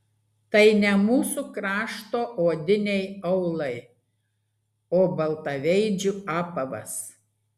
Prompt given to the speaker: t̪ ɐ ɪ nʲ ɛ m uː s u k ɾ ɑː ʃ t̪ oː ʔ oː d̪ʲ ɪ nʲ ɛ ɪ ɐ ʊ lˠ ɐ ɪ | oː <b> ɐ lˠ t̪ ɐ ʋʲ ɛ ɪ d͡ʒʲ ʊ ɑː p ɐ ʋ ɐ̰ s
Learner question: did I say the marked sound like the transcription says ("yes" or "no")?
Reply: yes